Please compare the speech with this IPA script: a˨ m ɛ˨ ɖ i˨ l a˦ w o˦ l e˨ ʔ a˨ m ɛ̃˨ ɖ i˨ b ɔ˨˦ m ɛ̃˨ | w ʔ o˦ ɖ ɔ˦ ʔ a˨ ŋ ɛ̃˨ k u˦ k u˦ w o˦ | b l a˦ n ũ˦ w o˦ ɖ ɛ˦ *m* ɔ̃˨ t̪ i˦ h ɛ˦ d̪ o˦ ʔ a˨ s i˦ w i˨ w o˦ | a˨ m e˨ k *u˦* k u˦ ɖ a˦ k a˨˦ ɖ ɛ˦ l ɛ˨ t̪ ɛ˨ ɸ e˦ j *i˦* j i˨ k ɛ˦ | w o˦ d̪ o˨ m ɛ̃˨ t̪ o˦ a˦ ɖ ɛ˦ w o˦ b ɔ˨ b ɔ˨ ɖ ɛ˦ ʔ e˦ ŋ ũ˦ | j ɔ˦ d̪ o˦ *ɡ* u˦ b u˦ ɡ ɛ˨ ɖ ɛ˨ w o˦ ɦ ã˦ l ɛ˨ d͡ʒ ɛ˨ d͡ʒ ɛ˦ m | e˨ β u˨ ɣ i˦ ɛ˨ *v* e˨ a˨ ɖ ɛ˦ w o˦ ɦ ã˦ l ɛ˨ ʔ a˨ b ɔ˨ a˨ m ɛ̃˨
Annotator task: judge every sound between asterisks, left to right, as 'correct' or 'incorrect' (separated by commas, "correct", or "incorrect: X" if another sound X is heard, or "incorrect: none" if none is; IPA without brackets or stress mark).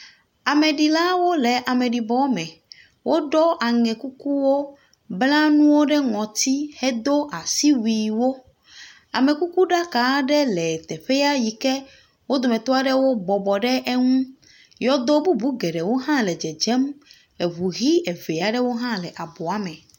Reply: incorrect: ŋ, correct, incorrect: a˦, incorrect: b, correct